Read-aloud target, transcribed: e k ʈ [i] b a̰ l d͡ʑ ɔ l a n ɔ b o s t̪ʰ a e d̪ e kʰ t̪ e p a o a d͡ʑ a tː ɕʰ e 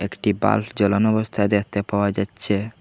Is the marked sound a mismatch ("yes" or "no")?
no